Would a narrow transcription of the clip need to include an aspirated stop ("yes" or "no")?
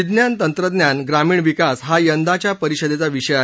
no